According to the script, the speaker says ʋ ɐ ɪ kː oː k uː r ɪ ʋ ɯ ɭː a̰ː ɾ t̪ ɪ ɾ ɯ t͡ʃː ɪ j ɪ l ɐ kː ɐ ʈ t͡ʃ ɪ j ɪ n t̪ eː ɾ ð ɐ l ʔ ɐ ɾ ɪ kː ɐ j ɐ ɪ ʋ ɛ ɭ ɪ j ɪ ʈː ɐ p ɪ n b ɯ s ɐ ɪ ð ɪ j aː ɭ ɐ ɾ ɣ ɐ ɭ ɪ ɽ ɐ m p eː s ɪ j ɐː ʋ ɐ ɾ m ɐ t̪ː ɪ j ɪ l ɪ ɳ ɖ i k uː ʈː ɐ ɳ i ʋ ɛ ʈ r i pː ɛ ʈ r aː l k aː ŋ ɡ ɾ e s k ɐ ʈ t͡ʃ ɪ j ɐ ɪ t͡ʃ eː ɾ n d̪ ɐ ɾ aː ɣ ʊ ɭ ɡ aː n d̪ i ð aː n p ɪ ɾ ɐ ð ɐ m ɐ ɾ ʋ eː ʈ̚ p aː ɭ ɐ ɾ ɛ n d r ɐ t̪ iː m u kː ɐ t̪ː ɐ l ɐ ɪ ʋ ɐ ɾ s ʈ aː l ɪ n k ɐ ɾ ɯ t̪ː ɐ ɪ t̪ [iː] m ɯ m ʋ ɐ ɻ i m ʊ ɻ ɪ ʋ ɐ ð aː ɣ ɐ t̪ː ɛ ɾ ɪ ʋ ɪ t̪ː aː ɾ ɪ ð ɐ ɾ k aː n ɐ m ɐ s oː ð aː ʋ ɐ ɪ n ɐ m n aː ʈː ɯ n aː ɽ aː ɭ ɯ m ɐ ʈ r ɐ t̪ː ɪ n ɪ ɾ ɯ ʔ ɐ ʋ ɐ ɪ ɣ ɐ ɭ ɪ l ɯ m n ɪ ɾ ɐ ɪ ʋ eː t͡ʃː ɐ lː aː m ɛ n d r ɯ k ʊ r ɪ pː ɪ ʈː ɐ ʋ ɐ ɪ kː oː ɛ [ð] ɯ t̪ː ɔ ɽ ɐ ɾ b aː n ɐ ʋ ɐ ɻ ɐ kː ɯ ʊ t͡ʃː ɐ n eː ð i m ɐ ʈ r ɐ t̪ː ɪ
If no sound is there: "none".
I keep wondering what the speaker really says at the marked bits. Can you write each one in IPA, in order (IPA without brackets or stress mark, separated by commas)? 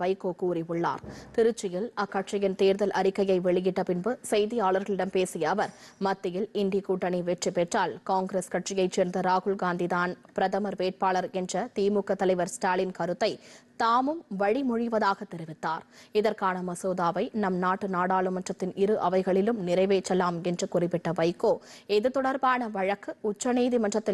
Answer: aː, ð